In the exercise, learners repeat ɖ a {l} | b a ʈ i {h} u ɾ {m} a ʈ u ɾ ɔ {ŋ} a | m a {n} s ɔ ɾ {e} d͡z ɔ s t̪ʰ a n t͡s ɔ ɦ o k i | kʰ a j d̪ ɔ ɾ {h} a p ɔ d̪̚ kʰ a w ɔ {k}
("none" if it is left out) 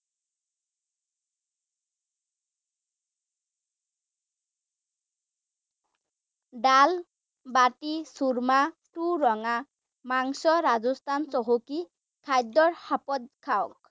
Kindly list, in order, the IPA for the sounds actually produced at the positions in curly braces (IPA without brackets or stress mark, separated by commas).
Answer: l, s, m, ŋ, ŋ, a, h, k